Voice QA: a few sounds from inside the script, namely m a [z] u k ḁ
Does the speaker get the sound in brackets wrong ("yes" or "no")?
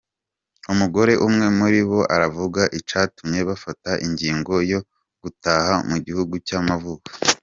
yes